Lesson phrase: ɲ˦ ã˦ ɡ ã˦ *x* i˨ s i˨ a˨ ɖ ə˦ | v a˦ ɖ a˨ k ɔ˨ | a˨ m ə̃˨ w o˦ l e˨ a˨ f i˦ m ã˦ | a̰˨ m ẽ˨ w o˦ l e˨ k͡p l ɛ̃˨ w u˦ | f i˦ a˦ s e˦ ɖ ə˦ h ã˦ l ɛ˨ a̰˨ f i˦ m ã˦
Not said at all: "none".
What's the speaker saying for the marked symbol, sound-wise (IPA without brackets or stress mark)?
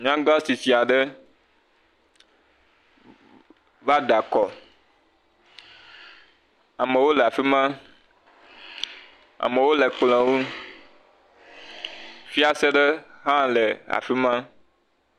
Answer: s